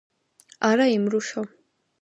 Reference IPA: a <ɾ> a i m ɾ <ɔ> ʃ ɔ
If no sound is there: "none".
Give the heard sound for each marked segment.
ɾ, u

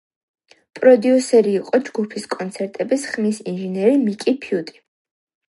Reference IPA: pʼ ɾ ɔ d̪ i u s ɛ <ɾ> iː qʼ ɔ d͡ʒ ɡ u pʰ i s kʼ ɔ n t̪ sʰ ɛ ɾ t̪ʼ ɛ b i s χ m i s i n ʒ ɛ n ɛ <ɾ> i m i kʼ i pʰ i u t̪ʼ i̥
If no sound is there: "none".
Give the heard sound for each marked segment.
ɾ, ɾ

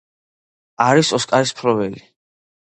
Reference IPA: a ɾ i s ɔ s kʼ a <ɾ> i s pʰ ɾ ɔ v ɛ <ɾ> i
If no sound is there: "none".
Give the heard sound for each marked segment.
ɾ, l

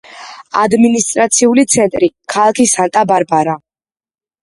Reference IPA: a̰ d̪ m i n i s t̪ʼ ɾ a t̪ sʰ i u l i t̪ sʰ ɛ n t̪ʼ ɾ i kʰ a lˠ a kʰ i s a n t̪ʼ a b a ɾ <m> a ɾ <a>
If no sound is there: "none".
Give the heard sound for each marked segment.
b, a

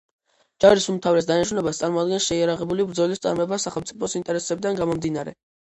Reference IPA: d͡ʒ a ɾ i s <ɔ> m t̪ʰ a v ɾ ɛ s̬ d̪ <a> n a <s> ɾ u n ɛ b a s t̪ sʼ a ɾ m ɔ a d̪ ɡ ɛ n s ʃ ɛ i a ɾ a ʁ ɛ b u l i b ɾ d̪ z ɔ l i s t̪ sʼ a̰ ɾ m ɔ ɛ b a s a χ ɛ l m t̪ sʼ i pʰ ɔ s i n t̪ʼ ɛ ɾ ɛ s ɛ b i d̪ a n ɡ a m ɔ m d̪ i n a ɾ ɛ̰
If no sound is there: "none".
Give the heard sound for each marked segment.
u, a, ʃ

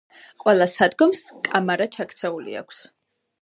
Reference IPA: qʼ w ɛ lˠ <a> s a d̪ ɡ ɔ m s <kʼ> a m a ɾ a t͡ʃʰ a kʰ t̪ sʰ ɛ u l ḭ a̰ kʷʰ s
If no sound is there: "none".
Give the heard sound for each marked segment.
a, kʼ

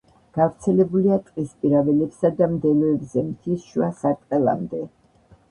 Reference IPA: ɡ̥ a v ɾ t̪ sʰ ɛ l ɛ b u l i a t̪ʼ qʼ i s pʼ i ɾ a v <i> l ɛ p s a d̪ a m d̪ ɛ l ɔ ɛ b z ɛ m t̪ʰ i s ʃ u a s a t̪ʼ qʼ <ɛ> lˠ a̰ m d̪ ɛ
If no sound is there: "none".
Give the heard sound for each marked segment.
ɛ, ɛ

